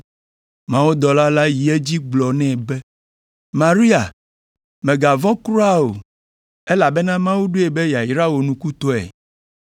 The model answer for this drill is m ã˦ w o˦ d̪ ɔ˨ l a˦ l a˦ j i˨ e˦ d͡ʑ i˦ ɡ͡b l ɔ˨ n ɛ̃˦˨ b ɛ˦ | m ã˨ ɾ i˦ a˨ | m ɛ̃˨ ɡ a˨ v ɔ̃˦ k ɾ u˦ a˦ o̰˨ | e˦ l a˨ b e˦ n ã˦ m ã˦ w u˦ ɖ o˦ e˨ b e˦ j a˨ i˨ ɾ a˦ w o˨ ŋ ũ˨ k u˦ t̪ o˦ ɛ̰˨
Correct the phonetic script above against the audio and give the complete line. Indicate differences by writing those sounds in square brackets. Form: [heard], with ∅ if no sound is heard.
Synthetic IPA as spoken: m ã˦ w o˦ d̪ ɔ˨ l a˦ l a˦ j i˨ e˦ d͡ʑ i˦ ɡ͡b l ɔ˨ n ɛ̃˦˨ b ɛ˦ | m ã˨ ɾ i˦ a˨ | m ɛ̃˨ ɡ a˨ v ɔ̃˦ k ɾ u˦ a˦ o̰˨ | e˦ l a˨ b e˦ n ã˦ m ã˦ w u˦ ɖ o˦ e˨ b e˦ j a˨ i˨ ɾ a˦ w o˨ [n] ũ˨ k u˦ t̪ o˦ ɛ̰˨